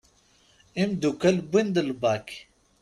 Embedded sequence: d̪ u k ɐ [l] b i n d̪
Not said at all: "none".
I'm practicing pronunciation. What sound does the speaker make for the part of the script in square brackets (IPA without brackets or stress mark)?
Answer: l